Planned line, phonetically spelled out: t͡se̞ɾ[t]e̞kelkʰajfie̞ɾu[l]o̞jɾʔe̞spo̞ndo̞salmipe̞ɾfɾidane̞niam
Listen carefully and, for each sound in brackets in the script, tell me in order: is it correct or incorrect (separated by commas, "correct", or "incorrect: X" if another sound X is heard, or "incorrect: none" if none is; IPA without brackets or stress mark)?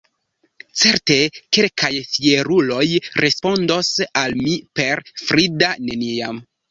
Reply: correct, correct